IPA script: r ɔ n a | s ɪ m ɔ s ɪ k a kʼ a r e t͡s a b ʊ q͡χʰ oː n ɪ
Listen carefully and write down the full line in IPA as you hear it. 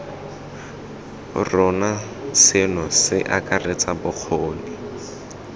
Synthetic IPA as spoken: r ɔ n a | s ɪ n ɔ s ɪ ʔ a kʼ a r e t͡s a b ʊ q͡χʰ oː n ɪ